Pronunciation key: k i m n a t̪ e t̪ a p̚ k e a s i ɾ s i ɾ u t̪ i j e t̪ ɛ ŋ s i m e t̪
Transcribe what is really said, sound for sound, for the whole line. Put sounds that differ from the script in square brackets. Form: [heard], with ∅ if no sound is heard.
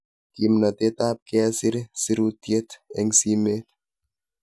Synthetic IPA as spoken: k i m n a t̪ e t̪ a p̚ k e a s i ɾ s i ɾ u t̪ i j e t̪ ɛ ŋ s i m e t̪